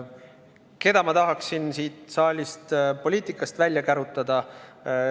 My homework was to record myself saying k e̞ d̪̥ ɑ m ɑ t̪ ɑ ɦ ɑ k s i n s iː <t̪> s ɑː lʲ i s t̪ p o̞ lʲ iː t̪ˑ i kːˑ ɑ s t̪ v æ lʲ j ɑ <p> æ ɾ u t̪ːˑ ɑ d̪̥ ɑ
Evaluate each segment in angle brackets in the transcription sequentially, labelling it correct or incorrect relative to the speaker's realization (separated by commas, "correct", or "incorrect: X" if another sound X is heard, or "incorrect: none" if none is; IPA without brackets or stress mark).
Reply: correct, incorrect: k